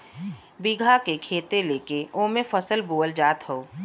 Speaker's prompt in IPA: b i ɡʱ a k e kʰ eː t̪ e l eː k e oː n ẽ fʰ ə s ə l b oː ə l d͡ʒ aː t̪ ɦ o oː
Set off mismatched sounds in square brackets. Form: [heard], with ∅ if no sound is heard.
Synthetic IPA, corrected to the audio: b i ɡʱ a k e kʰ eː t̪ e l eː k e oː [m] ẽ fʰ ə s ə l b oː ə l d͡ʒ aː t̪ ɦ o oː